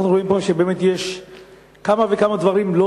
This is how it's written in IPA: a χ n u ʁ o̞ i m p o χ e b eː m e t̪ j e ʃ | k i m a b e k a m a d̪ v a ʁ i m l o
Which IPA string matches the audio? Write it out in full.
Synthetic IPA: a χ n u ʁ o̞ i m p o ʃ e b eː m e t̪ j e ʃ | k a m a v e k a m a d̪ v a ʁ i m l o